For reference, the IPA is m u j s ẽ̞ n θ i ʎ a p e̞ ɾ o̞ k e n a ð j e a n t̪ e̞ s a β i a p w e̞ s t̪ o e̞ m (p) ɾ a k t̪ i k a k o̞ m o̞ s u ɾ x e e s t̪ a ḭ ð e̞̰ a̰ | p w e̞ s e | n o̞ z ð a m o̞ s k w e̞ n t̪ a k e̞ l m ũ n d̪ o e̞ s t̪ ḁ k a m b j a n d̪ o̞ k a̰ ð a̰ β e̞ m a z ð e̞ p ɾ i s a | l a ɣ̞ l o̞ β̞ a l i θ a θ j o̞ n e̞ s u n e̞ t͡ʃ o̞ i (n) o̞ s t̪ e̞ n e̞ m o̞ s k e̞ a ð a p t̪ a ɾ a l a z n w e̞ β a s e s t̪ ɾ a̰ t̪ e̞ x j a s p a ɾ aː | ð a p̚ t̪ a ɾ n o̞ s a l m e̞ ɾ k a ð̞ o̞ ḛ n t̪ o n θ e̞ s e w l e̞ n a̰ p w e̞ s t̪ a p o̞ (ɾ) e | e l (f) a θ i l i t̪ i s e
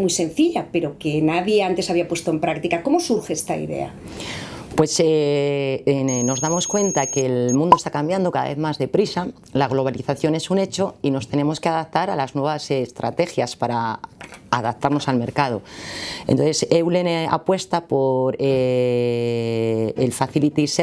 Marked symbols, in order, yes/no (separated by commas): yes, yes, yes, yes